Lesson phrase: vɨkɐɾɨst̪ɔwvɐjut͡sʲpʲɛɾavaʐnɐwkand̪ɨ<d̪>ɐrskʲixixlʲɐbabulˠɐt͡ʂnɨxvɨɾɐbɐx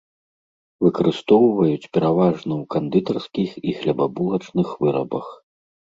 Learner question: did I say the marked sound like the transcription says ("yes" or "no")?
no